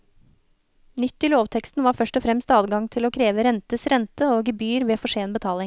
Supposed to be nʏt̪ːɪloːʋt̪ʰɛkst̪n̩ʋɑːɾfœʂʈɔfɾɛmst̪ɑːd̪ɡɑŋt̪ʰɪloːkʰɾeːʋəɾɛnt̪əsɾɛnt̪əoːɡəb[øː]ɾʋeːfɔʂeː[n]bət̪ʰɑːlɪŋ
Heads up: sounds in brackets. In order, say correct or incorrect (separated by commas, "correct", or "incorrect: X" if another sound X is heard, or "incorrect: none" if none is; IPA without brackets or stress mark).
incorrect: yː, correct